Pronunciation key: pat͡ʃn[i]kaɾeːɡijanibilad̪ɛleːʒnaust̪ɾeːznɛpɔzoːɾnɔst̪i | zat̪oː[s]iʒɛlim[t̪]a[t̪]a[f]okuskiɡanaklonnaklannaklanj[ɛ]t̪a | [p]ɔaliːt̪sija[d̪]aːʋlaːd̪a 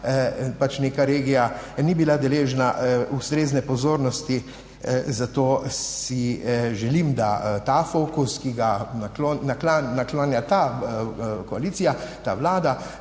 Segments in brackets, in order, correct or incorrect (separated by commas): incorrect, correct, incorrect, correct, correct, incorrect, incorrect, incorrect